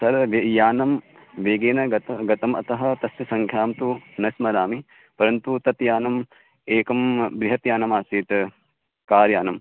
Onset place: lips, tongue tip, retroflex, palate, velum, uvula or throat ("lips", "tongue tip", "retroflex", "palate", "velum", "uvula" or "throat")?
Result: tongue tip